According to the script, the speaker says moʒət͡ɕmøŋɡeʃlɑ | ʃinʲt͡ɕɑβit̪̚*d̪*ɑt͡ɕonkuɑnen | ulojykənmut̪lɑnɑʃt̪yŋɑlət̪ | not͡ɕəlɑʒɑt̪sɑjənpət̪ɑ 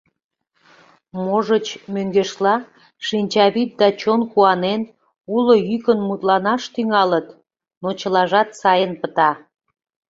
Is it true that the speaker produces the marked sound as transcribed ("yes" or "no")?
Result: yes